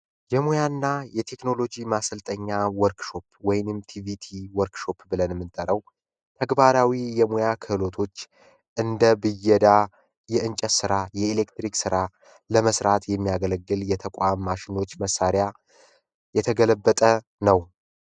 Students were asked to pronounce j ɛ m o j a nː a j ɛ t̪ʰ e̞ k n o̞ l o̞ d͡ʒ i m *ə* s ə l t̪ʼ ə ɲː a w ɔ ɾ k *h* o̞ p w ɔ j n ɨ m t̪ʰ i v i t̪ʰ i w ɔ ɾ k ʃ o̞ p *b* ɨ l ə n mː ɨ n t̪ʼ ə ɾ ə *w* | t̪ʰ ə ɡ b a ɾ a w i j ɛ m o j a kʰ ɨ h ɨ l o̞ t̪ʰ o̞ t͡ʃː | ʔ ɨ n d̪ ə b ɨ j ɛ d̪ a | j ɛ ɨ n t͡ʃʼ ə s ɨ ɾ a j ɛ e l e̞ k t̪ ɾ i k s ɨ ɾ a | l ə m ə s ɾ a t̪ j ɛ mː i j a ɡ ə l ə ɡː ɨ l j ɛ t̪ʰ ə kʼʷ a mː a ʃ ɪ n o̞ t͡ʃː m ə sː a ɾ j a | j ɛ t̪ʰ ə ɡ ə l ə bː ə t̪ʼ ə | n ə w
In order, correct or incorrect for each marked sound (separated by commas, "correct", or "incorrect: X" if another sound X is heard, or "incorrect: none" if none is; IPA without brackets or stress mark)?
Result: incorrect: a, incorrect: ʃ, correct, correct